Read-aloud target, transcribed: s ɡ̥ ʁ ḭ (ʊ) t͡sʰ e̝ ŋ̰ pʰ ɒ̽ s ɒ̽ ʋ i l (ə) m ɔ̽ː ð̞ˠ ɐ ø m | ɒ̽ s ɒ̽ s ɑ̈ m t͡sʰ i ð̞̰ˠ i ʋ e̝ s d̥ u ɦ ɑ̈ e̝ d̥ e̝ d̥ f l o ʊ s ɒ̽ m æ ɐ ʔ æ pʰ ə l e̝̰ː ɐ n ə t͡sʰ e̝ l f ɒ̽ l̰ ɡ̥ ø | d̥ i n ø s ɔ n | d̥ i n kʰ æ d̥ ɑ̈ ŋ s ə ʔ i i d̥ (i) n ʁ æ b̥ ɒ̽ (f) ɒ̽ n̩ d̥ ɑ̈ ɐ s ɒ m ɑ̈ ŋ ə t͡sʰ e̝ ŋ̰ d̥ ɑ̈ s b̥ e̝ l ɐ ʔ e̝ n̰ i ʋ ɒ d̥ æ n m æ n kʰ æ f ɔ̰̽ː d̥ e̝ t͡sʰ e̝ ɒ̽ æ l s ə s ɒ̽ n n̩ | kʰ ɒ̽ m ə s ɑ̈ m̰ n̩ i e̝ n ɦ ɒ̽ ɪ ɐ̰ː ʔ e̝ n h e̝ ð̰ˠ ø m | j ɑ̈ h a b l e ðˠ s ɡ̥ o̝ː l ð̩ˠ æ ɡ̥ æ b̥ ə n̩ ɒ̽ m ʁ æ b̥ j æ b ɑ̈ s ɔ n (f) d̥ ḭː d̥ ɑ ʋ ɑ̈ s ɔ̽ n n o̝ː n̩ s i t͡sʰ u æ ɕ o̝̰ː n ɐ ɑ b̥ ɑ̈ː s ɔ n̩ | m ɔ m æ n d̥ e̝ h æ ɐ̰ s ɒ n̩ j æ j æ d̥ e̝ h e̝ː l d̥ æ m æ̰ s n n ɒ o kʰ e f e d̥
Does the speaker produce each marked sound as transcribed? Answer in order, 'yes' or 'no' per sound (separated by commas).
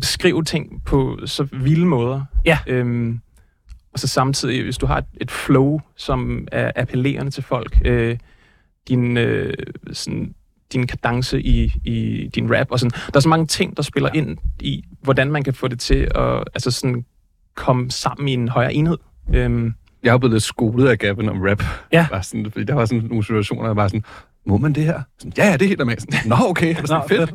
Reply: yes, yes, yes, no, yes